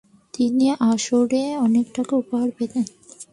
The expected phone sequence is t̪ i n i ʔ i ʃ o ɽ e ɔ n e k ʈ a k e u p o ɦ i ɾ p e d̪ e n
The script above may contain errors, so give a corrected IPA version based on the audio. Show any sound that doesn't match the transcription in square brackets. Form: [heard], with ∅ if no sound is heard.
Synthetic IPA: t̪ i n i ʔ [a] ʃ o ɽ e ɔ n e k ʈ a k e u p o ɦ [a] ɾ p e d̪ e n